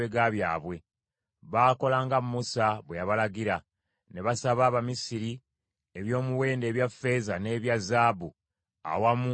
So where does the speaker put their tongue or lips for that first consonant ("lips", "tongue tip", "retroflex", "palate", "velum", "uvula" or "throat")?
velum